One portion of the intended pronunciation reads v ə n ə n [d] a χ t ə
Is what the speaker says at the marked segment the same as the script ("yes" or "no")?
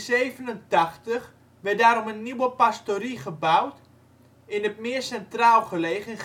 no